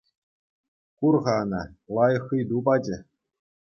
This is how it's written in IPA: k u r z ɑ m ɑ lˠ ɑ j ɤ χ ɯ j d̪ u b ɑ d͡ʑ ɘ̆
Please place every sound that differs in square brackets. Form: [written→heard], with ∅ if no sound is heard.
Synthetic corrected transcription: k u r [z→ʁ] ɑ [m→n] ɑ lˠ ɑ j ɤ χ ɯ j d̪ u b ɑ d͡ʑ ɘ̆